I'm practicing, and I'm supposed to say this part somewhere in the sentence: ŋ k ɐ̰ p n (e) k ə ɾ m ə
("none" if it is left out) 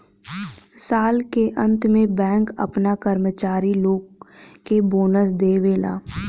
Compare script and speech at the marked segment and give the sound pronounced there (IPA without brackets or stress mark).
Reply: a